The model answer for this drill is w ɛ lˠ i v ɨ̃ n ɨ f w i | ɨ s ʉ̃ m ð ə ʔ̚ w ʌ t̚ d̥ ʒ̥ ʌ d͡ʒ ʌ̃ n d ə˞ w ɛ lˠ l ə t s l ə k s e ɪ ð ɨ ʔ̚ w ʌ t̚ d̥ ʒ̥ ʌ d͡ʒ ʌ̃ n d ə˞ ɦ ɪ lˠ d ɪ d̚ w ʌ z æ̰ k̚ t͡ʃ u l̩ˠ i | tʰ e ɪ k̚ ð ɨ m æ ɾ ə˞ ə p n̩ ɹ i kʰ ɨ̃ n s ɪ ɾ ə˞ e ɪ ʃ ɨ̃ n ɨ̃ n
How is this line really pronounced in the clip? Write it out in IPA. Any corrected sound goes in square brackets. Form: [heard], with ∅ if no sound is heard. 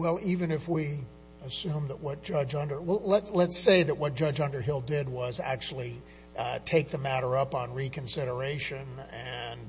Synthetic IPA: w ɛ lˠ i v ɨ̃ n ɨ f w i | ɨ s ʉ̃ m ð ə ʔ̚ w ʌ t̚ d̥ ʒ̥ ʌ d͡ʒ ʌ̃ n d ə˞ w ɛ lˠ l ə t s l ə [t] s e ɪ ð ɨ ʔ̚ w ʌ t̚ d̥ ʒ̥ ʌ d͡ʒ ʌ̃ n d ə˞ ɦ ɪ lˠ d ɪ d̚ w ʌ z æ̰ k̚ t͡ʃ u l̩ˠ i | tʰ e ɪ k̚ ð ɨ m æ ɾ ə˞ [ʌ] p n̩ ɹ i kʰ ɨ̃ n s ɪ ɾ ə˞ e ɪ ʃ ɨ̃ n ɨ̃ n